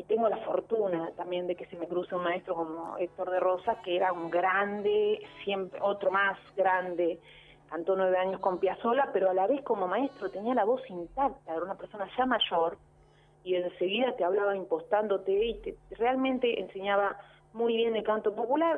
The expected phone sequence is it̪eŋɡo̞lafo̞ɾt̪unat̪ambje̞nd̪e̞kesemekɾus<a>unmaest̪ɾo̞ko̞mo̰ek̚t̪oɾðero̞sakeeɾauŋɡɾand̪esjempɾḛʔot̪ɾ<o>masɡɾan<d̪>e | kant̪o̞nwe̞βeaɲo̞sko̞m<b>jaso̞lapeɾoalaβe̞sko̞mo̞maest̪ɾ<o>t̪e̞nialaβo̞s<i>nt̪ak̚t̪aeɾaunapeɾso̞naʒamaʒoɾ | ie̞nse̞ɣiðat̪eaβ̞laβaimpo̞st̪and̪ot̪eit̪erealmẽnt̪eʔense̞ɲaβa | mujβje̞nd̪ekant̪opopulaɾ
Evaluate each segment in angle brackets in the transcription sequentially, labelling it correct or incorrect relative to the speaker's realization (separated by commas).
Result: incorrect, correct, correct, incorrect, correct, correct